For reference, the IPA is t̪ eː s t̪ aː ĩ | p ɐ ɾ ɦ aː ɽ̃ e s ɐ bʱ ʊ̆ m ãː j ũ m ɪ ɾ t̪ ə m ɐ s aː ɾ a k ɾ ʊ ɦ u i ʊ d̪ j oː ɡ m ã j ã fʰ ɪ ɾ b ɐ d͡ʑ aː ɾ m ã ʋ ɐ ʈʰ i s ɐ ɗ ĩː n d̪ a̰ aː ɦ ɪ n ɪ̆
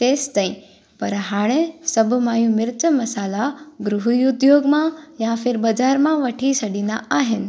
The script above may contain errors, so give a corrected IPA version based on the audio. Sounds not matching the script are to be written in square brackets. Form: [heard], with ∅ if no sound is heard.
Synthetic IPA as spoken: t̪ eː s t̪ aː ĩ | p ɐ ɾ ɦ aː ɽ̃ e s ɐ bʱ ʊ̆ m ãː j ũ m ɪ ɾ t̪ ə m ɐ s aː [l] a [ɡ] ɾ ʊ ɦ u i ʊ d̪ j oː ɡ m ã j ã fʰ ɪ ɾ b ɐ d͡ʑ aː ɾ m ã ʋ ɐ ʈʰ i s ɐ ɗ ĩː n d̪ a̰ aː ɦ ɪ n ɪ̆